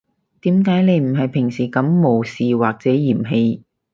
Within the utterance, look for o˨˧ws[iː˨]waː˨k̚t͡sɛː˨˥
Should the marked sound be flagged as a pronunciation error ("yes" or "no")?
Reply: no